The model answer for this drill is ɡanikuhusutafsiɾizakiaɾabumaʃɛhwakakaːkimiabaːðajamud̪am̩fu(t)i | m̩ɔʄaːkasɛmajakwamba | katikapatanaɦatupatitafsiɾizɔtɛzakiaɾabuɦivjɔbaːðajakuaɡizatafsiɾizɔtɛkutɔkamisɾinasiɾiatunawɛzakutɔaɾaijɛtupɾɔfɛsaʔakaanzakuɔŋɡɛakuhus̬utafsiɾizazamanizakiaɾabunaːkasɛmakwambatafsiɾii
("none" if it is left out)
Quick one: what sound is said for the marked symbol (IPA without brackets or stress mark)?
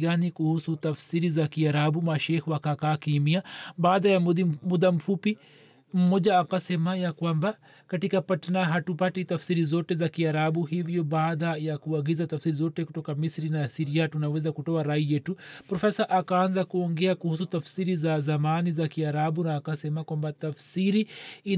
p